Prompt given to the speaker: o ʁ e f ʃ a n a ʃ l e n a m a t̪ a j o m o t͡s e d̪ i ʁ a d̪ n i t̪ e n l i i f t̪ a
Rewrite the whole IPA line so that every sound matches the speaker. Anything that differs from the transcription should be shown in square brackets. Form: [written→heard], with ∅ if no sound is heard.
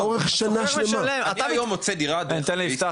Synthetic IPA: o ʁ e [f→χ] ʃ a n a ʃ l e [n→m] a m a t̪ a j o m o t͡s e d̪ i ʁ a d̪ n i t̪ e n l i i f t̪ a